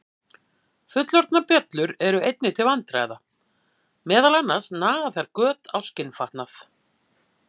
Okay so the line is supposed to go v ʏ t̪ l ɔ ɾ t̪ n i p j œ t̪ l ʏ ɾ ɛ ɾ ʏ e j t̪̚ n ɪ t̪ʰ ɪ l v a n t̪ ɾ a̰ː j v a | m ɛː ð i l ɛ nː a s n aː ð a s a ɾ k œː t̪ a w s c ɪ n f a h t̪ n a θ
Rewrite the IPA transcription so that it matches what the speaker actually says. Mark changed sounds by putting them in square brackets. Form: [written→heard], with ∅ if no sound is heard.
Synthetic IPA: [v→f] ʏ t̪ l ɔ ɾ t̪ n [i→a] p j œ t̪ l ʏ ɾ ɛ ɾ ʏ e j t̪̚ n ɪ t̪ʰ ɪ l v a n t̪ ɾ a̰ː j [v→ð] a | m ɛː ð [i→a] l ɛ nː a s n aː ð a [s→θ] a ɾ k œː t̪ a w s c ɪ n f a h t̪ n a θ